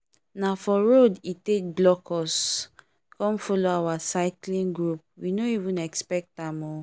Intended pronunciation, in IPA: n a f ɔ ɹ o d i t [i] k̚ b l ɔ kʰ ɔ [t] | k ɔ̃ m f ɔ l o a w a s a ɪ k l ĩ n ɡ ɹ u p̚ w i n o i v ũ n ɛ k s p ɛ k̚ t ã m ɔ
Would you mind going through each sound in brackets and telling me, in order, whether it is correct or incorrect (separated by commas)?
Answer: incorrect, incorrect